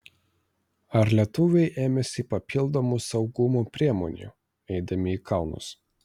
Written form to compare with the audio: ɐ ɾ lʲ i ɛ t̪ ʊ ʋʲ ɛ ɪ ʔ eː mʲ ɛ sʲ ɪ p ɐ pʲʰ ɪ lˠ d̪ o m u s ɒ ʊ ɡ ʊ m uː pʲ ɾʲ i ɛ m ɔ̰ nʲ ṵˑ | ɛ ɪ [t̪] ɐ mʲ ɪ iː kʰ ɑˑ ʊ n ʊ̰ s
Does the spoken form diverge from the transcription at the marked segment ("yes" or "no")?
yes